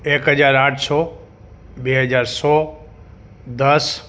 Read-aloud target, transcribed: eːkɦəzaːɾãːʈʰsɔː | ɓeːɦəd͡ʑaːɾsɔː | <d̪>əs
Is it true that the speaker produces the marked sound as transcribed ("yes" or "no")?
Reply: yes